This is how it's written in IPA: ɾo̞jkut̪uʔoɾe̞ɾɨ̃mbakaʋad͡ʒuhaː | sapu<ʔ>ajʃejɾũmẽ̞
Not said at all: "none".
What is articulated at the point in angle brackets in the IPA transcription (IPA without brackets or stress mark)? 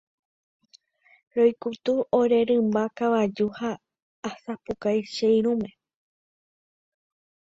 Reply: k